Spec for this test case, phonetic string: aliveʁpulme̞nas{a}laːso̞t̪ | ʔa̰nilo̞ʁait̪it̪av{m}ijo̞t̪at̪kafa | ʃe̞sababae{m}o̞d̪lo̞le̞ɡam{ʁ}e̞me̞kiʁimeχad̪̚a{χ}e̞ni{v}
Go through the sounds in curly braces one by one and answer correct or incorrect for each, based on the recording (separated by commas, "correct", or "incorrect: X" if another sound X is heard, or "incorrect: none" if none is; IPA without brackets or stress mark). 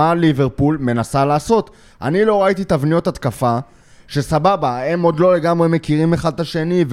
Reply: correct, incorrect: n, correct, correct, incorrect: ʃ, correct